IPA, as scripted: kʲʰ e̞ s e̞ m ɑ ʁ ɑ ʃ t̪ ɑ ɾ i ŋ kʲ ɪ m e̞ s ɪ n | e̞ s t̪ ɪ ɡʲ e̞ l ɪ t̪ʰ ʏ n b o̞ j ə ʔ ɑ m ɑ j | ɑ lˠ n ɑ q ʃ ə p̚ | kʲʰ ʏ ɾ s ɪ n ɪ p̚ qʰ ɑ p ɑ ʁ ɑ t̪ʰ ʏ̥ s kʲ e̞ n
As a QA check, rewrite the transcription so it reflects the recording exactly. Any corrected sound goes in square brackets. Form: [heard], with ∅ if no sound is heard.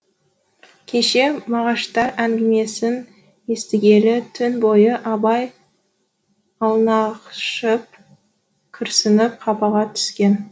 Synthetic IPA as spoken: kʲʰ e̞ [ʃ] e̞ m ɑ ʁ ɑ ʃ t̪ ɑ ɾ [æ] ŋ [ɡʲ] ɪ m e̞ s ɪ n | e̞ s t̪ ɪ ɡʲ e̞ l ɪ t̪ʰ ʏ n b o̞ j ə ʔ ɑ [b] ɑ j | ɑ lˠ n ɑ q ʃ ə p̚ | kʲʰ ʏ ɾ s ɪ n ɪ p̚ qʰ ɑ p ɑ ʁ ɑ t̪ʰ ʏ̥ s kʲ e̞ n